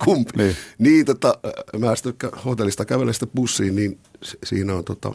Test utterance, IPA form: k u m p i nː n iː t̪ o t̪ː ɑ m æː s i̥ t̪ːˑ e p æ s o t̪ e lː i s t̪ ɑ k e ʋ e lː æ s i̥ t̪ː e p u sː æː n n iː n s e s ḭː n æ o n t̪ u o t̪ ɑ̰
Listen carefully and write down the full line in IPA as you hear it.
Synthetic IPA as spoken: k u m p i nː n iː t̪ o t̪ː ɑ m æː s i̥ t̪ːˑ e k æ h o t̪ e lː i s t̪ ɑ k æ ʋ e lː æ s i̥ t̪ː e p u sː iː n n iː n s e s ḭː n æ o n t̪ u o t̪ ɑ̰